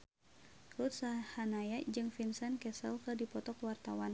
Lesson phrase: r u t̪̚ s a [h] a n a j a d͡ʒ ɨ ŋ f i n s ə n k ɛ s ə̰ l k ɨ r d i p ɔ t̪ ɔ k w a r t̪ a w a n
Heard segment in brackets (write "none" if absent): h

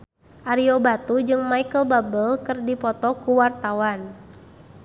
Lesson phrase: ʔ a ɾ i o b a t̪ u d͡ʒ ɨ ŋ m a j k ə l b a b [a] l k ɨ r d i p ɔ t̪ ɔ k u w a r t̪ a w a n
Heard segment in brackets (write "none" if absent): ə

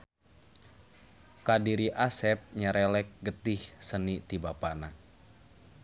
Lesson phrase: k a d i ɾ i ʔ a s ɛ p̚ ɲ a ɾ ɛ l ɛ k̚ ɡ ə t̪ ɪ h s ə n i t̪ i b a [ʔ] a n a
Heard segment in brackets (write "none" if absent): p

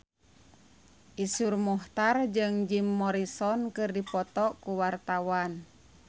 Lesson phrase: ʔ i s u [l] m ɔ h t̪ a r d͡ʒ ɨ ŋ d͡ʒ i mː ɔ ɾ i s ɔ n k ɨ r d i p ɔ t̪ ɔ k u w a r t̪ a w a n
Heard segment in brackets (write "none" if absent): r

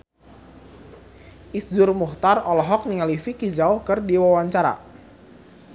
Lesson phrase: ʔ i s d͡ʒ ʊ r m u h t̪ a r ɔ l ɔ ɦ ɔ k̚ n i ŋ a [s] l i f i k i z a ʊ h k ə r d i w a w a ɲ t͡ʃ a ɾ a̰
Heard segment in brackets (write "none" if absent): none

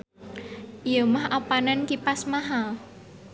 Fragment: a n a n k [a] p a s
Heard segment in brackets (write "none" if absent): i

